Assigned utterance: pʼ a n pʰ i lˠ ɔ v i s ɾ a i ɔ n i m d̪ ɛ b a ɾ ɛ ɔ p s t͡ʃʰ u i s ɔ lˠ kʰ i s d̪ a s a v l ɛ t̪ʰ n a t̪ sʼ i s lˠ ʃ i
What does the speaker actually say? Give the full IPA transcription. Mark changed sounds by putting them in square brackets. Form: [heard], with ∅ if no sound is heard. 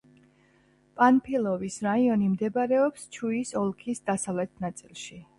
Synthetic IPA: pʼ a n pʰ i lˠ ɔ v i s ɾ a i ɔ n i m d̪ ɛ b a ɾ ɛ ɔ p s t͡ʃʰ u i s ɔ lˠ kʰ i s d̪ a s a v l ɛ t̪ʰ n a t̪ sʼ i [∅] lˠ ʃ i